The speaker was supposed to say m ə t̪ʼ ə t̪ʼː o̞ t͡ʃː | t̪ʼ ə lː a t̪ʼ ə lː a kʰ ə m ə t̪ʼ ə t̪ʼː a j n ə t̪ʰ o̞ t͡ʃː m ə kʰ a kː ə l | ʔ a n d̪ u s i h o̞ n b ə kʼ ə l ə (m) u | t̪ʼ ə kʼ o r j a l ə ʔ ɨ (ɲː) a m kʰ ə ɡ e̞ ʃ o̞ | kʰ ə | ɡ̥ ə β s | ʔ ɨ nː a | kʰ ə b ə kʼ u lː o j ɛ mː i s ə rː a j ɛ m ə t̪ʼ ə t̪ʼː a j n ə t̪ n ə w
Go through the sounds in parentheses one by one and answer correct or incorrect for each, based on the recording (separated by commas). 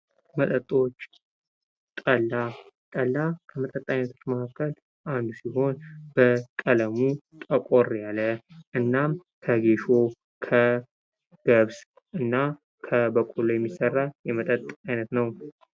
correct, incorrect